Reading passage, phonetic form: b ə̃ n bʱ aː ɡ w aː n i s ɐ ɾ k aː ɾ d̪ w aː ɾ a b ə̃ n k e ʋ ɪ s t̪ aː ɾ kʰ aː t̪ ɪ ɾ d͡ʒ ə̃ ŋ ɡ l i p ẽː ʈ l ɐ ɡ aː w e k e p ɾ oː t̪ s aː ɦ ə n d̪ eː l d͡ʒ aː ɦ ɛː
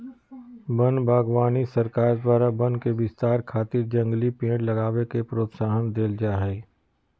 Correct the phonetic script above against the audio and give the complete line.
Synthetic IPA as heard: b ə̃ n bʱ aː ɡ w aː n i s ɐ ɾ k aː ɾ d̪ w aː ɾ a b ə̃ n k e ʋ ɪ s t̪ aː ɾ kʰ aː t̪ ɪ ɾ d͡ʒ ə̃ ŋ ɡ l i p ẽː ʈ l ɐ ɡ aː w e k e p ɾ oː t̪ s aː ɦ ə n d̪ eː l d͡ʒ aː ɦ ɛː

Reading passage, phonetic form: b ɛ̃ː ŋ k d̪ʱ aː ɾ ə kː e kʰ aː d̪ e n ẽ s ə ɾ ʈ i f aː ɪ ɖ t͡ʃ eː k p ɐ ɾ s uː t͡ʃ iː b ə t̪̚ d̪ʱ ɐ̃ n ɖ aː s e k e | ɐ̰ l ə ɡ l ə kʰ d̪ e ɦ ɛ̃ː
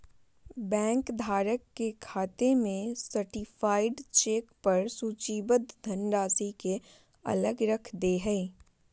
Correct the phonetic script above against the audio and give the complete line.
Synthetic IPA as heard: b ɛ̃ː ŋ k d̪ʱ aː ɾ ə kː e kʰ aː t̪ e m ẽ s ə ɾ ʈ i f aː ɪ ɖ t͡ʃ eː k p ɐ ɾ s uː t͡ʃ iː b ə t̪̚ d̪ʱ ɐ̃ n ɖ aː s i k e | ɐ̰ l ə ɡ ɾ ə kʰ d̪ e ɦ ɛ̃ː

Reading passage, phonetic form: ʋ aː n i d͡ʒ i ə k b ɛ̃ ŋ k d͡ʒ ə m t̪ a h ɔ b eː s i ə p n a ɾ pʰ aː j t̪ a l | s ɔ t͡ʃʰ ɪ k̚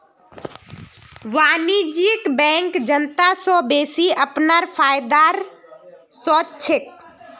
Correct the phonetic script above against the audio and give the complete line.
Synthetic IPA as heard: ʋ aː n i d͡ʒ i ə k b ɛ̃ ŋ k d͡ʒ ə n t̪ a s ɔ b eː s i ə p n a ɾ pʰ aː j d̪ a ɾ | s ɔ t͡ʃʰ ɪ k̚

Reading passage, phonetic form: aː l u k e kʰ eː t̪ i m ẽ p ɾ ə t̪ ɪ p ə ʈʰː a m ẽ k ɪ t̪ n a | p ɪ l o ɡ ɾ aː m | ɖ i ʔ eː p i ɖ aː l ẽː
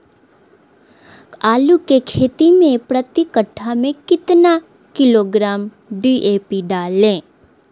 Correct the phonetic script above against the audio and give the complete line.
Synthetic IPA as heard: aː l u k e kʰ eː t̪ i m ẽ p ɾ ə t̪ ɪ k ə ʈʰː a m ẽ k ɪ t̪ n a | k ɪ l o ɡ ɾ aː m | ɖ i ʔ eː p i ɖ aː l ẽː

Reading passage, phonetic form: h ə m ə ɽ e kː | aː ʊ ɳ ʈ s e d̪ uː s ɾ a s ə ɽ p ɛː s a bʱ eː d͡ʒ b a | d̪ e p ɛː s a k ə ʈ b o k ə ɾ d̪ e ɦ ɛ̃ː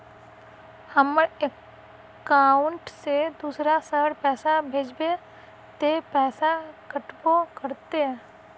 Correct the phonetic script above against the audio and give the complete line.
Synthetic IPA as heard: h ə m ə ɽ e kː | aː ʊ ɳ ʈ s e d̪ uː s ɾ a s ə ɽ p ɛː s a bʱ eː d͡ʒ b e | t̪ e p ɛː s a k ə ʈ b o k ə ɾ t̪ e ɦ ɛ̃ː

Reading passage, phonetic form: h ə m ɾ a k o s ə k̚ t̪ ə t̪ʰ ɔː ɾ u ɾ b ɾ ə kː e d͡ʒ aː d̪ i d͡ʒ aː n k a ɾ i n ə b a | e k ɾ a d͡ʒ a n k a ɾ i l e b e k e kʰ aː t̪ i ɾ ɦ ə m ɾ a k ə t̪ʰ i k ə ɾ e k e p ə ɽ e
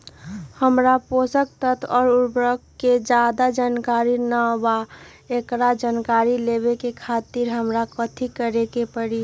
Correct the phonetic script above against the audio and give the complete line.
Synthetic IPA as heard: h ə m ɾ a p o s ə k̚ t̪ ə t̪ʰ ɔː ɾ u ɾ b ɾ ə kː e d͡ʒ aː d̪ a d͡ʒ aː n k a ɾ i n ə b a | e k ɾ a d͡ʒ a n k a ɾ i l e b e k e kʰ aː t̪ i ɾ ɦ ə m ɾ a k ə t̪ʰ i k ə ɾ e k e p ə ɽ i

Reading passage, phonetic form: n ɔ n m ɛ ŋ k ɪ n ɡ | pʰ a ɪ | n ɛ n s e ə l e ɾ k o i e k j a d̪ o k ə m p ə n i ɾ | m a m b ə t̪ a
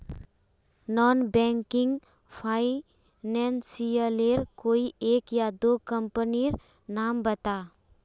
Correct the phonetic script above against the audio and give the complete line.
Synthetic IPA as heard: n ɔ n b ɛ ŋ k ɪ ŋ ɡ | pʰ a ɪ | n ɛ n s i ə l e ɾ k o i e k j a d̪ o k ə m p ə n i ɾ | n a m b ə t̪ a

